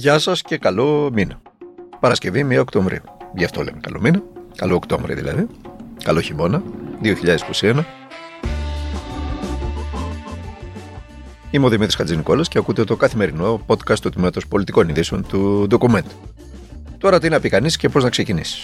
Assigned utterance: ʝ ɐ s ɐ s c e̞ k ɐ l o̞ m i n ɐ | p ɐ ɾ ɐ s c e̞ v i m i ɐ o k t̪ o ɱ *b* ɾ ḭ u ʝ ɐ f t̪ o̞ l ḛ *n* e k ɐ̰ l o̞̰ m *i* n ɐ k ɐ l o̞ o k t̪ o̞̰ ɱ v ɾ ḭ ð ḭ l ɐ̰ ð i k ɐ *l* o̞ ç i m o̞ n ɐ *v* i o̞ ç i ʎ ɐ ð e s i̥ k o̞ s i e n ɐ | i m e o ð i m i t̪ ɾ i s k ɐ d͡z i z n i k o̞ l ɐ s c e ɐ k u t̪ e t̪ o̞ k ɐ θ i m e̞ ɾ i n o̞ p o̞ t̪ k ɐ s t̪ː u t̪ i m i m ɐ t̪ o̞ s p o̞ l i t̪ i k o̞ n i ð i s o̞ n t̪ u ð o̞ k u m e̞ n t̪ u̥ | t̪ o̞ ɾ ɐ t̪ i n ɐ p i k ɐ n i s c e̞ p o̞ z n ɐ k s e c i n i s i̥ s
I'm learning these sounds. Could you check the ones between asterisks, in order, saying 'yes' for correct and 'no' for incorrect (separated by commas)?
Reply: no, no, yes, yes, no